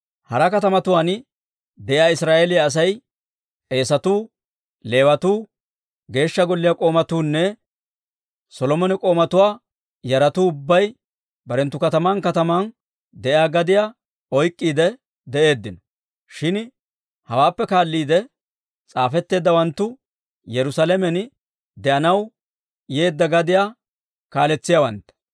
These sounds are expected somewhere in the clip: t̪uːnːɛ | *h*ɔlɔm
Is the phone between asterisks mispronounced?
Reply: yes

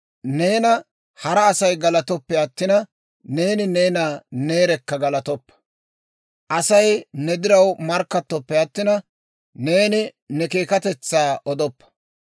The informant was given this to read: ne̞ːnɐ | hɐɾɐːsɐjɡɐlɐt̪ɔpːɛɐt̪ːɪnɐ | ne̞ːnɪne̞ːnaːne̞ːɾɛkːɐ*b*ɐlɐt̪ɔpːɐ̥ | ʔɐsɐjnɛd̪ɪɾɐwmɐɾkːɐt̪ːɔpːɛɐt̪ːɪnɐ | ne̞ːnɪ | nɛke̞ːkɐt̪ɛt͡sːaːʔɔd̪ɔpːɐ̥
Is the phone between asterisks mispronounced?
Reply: yes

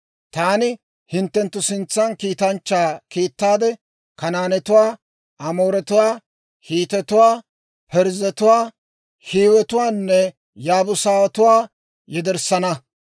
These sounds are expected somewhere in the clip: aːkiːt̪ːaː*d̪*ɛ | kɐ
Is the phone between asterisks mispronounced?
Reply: no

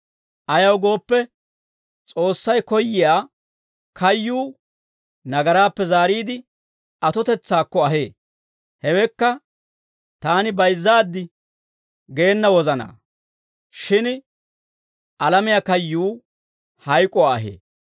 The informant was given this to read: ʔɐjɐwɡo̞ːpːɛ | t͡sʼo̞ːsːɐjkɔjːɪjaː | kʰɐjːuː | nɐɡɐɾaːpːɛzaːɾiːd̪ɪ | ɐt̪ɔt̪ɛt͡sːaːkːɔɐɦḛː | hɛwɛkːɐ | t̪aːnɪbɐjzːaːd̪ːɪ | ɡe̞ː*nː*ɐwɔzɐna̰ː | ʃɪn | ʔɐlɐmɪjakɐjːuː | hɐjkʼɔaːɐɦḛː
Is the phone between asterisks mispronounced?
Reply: no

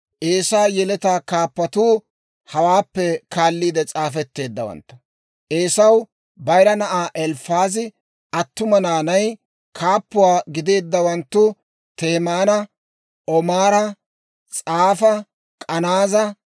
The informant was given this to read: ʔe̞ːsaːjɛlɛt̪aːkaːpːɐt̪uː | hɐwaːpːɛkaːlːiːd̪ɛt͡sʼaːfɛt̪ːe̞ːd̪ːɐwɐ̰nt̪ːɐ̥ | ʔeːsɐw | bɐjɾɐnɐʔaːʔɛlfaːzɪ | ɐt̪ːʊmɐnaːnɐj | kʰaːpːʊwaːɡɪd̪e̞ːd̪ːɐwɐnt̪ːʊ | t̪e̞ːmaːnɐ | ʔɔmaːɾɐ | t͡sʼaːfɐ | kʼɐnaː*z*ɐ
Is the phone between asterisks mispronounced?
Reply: no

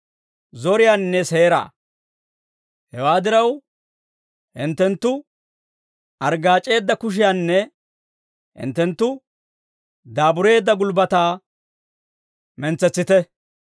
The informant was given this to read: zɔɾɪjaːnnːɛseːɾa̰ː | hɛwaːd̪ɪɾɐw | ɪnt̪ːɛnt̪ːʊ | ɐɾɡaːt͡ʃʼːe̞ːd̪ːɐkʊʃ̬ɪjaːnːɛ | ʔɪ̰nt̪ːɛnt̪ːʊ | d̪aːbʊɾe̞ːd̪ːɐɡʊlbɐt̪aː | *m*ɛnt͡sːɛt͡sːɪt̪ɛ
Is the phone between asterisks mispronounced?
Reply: no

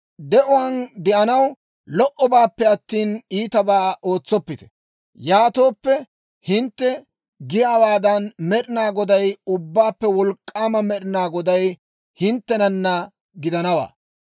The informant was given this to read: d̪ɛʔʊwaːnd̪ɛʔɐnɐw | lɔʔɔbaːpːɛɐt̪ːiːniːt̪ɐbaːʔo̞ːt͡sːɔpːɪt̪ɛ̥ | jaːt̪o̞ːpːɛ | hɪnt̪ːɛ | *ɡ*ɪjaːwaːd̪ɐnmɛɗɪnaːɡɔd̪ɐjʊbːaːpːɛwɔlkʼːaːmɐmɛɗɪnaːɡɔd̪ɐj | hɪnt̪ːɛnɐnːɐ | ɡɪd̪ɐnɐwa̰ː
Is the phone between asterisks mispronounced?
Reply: no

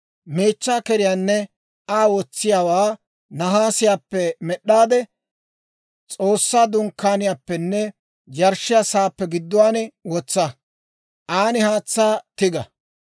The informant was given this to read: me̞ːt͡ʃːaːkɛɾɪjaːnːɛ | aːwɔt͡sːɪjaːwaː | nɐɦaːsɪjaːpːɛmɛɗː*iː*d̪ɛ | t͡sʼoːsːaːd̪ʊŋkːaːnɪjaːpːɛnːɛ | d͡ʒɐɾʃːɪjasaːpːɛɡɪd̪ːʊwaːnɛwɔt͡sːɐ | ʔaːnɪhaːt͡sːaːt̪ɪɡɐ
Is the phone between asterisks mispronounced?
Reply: yes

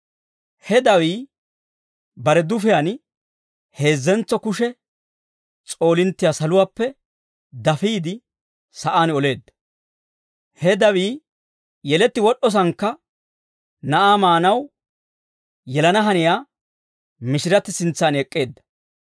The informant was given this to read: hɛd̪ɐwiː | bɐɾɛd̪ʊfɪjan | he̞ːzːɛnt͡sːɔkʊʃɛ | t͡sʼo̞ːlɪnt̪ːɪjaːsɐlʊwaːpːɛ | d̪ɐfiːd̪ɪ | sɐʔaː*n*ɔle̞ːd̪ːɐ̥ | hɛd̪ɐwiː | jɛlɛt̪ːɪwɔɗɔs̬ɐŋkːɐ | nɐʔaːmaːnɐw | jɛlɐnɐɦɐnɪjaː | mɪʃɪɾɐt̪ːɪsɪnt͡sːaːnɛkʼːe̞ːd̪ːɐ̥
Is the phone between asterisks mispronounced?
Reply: no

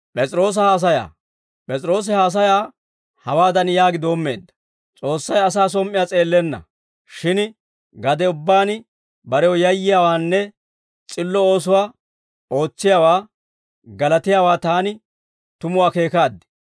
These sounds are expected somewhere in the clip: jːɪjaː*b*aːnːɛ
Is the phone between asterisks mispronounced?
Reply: yes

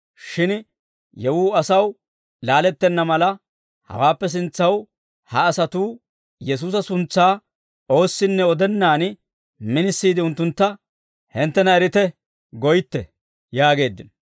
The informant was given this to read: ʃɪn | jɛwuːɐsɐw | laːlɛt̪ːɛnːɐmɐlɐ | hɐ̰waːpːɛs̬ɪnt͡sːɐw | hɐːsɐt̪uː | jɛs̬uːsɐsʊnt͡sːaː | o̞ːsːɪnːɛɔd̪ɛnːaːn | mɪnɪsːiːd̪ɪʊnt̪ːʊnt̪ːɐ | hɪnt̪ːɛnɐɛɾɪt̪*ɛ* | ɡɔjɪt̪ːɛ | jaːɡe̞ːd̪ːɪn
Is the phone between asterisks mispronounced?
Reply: no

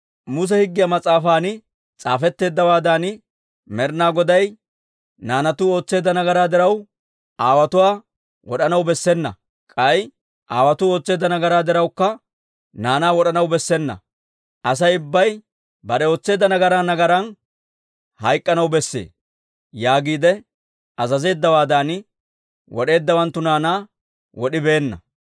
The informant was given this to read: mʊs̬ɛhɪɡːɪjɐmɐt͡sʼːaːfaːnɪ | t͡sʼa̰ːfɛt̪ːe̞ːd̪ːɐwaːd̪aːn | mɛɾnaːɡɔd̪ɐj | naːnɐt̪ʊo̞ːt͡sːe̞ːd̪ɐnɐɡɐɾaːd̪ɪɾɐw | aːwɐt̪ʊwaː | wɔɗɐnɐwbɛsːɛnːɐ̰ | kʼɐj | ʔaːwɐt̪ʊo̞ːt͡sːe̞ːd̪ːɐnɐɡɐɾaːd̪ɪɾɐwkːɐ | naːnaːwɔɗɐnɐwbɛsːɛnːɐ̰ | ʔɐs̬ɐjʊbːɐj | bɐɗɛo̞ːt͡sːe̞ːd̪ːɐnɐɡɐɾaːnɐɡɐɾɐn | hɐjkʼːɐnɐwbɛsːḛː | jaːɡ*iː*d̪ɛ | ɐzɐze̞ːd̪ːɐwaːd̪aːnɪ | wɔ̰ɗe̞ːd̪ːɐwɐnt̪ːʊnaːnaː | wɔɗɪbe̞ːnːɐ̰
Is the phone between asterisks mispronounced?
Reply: no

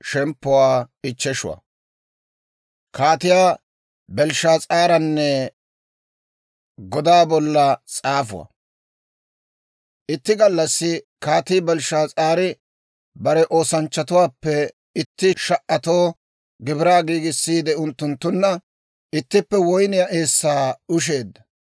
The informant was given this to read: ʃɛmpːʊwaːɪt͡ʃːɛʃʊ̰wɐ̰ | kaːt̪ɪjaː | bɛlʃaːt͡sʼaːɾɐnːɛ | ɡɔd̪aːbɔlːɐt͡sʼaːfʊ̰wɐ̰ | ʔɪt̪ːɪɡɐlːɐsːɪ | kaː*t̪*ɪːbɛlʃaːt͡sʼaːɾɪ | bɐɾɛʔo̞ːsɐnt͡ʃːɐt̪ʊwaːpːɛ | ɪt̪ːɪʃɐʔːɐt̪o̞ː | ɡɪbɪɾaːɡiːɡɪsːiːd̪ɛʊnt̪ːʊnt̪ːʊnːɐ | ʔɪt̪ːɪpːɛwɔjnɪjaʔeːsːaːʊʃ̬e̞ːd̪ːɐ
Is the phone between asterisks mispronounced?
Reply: no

